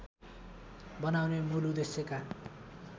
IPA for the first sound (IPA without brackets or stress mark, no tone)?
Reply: b